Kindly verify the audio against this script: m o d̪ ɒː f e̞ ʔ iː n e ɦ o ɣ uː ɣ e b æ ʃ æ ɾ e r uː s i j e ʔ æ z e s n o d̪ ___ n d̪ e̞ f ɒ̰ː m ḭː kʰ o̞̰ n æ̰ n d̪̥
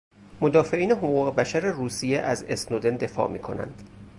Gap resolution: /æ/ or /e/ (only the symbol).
e